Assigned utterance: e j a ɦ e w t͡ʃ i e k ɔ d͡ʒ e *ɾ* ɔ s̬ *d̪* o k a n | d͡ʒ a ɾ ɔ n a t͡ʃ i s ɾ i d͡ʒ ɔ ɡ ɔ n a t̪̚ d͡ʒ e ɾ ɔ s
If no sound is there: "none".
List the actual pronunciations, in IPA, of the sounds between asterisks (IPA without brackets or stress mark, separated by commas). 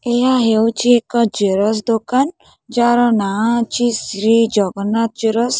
ɾ, d̪